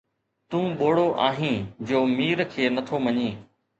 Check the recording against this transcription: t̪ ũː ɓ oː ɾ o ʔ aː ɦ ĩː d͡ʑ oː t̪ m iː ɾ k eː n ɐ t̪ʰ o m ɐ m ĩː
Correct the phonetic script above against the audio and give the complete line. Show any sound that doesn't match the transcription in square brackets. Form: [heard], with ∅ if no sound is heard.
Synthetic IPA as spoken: t̪ ũː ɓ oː [ɽ] o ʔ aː ɦ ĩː d͡ʑ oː [∅] m iː ɾ [kʰ] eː n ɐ t̪ʰ o m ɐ [ɲ] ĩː